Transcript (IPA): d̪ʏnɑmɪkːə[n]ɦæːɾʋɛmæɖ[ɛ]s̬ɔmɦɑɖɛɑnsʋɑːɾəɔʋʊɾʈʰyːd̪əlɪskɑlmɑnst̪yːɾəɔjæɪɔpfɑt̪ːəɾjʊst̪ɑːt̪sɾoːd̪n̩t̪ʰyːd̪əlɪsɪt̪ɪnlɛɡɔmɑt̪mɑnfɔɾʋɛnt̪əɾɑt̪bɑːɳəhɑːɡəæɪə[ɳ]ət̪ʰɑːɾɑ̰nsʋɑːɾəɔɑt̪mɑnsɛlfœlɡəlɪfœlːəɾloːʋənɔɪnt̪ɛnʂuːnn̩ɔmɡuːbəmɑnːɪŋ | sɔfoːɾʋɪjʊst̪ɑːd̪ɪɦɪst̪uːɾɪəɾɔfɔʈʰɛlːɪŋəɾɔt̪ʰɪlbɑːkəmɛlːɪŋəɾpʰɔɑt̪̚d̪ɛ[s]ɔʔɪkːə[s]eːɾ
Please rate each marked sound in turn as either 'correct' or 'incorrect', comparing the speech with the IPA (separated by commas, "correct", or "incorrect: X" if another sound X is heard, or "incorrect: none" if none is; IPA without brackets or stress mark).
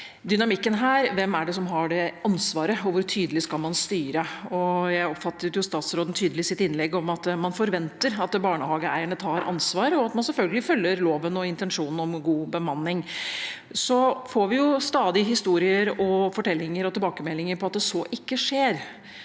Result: correct, correct, correct, correct, incorrect: ʂ